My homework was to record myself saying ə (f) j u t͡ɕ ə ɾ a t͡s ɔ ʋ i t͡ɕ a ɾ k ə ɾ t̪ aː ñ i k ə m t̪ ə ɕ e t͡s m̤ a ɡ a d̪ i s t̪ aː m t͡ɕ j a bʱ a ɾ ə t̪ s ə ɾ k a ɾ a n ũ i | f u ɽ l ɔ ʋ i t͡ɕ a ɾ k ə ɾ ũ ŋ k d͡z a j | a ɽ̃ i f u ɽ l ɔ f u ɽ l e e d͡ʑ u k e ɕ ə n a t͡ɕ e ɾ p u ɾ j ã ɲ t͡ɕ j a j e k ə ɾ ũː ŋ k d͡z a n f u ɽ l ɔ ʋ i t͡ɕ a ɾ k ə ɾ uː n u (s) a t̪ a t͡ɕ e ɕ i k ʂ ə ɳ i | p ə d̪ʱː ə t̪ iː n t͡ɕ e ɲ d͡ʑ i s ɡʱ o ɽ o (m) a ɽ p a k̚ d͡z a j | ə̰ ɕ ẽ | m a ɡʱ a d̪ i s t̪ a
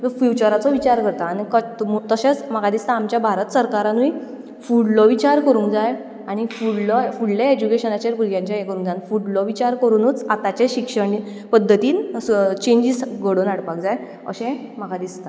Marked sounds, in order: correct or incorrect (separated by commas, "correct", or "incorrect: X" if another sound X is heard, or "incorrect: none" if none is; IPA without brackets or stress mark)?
correct, incorrect: t͡s, incorrect: n